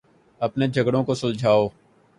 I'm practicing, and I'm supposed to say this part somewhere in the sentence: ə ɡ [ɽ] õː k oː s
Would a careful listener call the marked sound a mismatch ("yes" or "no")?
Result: no